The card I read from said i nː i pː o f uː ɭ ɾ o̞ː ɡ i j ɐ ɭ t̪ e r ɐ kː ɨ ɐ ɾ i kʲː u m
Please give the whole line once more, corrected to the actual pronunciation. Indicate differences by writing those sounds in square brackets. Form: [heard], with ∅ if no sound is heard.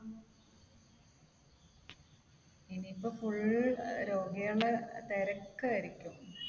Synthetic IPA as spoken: i [n] i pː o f [u] ɭ ɾ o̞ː ɡ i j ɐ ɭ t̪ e [ɾ] ɐ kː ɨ ɐ ɾ i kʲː u m